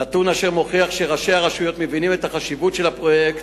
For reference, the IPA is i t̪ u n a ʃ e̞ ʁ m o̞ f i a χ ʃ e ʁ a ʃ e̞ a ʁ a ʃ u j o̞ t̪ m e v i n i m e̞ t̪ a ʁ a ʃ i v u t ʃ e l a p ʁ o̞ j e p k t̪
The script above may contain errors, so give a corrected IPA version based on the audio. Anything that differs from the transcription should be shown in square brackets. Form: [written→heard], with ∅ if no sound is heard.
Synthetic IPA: [i→a] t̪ u n a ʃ e̞ ʁ m o̞ [f→χ] i a χ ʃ e ʁ a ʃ e̞ a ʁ a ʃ u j o̞ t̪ m e v i n i m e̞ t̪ a [ʁ→χ] a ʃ i v u t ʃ e l a p ʁ o̞ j e [p→∅] k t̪